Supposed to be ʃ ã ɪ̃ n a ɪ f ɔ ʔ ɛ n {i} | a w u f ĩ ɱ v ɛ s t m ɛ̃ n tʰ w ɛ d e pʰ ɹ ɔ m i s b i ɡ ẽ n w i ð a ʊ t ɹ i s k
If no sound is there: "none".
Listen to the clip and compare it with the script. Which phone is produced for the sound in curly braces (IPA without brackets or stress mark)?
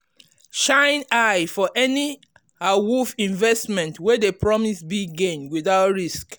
i